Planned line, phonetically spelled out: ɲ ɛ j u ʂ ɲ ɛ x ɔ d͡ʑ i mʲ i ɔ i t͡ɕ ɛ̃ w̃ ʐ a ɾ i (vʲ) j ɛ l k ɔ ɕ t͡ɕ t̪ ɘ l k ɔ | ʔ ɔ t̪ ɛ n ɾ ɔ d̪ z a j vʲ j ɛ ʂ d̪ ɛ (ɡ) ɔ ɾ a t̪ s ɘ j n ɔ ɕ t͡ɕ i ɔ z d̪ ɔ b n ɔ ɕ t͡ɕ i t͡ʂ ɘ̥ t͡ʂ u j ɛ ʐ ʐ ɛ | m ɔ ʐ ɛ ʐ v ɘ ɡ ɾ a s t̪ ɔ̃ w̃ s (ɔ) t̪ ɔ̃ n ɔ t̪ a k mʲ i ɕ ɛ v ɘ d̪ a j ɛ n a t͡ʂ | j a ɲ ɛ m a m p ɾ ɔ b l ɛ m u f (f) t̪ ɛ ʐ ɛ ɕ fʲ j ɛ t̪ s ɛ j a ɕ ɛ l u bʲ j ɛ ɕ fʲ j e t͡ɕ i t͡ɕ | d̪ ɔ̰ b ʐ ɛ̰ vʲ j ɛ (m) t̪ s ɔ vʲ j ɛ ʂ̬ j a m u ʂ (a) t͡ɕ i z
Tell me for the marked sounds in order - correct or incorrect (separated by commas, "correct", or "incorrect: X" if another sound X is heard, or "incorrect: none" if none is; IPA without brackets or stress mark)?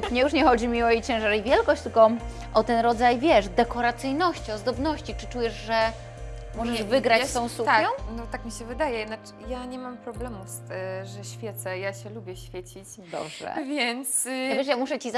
correct, incorrect: k, incorrect: u, incorrect: s, incorrect: n, incorrect: ɛ